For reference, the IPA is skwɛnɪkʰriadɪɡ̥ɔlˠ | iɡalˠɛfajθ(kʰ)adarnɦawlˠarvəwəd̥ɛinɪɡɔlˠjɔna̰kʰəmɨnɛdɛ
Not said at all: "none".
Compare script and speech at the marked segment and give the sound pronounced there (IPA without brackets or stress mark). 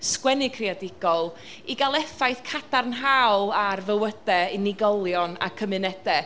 kʰ